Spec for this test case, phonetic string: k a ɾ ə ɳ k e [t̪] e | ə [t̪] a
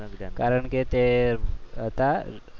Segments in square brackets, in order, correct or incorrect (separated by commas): correct, correct